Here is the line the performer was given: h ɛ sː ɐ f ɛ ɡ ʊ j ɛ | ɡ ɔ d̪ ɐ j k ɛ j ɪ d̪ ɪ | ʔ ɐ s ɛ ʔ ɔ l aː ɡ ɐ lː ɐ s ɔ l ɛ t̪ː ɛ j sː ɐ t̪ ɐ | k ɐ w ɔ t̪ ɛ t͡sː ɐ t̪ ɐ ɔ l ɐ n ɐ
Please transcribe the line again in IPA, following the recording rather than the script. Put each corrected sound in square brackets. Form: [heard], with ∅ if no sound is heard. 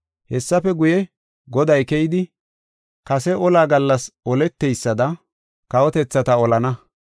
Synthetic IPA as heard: h ɛ sː ɐ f ɛ ɡ ʊ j ɛ | ɡ ɔ d̪ ɐ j k ɛ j ɪ d̪ ɪ | [k] ɐ s ɛ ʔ ɔ l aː ɡ ɐ lː ɐ s ɔ l ɛ t̪ː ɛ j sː ɐ [d̪] ɐ | k ɐ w ɔ t̪ ɛ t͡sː ɐ t̪ ɐ ɔ l ɐ n ɐ